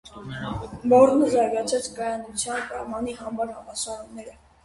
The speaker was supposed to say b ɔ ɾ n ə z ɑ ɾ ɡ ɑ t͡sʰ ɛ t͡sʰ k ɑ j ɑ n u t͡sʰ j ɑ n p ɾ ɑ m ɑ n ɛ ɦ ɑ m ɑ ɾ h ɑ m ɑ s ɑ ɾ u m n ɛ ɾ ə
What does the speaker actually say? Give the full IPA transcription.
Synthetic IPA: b ɔ ɾ n ə z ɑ ɾ ɡ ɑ t͡sʰ ɛ t͡sʰ k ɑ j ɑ n u t͡sʰ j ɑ n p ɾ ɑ m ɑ n i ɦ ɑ m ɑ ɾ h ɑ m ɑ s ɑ ɾ u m n ɛ ɾ ə